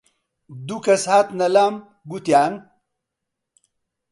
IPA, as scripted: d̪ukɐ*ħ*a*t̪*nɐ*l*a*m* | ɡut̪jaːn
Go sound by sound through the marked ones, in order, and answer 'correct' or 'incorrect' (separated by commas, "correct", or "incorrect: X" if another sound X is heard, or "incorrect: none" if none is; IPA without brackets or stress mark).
incorrect: s, correct, correct, correct